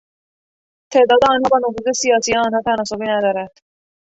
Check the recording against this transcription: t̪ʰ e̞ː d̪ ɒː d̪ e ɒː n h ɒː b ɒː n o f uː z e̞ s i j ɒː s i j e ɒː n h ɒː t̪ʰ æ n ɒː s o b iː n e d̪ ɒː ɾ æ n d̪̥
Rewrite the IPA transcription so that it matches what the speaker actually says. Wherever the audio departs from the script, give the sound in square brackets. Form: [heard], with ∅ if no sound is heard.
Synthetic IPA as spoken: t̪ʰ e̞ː d̪ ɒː d̪ e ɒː n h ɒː b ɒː n o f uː z e̞ s i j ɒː s i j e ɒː n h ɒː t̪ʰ æ n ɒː s o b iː n [æ] d̪ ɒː ɾ æ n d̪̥